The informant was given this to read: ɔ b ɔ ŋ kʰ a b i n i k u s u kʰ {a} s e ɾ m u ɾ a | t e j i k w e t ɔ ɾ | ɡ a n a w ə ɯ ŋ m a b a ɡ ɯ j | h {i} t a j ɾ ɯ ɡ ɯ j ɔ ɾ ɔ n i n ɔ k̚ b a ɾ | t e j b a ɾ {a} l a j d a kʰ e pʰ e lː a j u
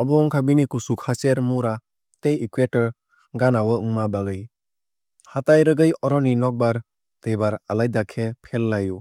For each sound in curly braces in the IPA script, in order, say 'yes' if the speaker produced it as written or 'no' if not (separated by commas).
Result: yes, no, yes